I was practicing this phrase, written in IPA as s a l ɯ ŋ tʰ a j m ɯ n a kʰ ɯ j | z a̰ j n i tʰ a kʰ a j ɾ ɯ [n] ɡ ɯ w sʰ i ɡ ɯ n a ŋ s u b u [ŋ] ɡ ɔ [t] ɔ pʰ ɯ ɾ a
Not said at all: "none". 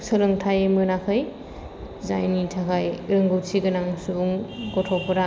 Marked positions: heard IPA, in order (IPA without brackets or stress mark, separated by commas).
ŋ, ŋ, tʰ